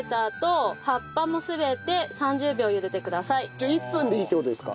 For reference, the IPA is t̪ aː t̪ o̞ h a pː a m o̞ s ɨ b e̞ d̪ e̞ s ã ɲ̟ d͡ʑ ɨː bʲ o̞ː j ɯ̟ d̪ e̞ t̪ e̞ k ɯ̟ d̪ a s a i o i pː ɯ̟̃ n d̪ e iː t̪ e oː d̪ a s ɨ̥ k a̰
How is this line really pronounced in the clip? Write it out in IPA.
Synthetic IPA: t̪ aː t̪ o̞ h a pː a m o̞ s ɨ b e̞ t̪ e̞ s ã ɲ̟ d͡ʑ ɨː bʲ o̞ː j ɯ̟ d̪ e̞ t̪ e̞ k ɯ̟ d̪ a s a i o i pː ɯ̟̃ n d̪ e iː t̪ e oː d̪ e s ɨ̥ k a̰